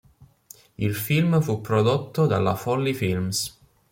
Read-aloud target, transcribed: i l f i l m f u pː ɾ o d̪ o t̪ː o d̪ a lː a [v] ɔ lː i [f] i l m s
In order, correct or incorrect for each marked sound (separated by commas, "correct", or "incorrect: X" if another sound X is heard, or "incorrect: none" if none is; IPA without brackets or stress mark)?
incorrect: f, correct